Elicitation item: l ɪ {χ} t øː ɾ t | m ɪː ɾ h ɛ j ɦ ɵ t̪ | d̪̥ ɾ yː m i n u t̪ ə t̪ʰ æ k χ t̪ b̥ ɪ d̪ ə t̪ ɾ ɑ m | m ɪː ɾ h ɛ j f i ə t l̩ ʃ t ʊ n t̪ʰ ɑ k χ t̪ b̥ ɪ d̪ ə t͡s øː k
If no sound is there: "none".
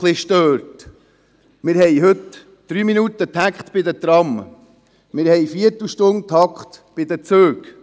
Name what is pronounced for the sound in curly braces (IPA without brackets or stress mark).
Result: ʃ